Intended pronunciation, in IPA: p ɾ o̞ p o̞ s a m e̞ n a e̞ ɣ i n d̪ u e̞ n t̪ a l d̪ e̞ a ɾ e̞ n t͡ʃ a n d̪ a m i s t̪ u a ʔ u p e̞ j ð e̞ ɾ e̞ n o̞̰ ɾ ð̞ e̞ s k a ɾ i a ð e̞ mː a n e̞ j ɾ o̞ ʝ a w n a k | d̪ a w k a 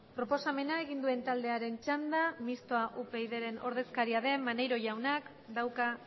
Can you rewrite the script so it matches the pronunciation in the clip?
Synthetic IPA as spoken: p ɾ o̞ p o̞ s a m e̞ n a e̞ ɣ i n d̪ u e̞ n t̪ a l d̪ e̞ a ɾ e̞ n t͡ʃ a n d̪ a m i s t̪ o a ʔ u p e̞ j ð e̞ ɾ e̞ n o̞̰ ɾ ð̞ e̞ s k a ɾ i a ð e̞ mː a n e̞ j ɾ o̞ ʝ a w n a k | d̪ a w k a